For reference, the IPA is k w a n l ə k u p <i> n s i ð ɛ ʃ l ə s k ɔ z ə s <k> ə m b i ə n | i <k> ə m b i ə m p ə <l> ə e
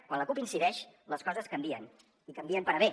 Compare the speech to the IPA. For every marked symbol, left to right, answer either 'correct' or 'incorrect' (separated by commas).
correct, correct, correct, incorrect